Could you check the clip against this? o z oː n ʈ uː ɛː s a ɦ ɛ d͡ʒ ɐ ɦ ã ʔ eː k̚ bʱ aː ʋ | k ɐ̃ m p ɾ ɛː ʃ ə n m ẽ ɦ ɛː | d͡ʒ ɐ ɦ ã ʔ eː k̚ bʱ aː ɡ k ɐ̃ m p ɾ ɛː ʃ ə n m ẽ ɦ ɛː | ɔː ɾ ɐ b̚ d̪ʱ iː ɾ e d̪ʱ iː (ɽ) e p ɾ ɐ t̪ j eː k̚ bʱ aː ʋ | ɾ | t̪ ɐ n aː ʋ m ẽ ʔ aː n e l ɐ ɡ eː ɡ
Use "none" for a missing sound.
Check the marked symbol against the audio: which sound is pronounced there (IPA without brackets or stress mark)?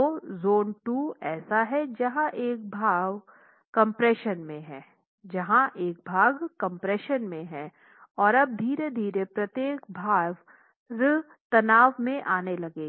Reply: ɾ